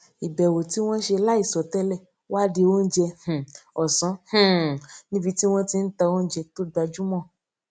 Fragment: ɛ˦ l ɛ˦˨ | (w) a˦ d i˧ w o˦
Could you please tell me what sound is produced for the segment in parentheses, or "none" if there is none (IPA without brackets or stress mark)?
w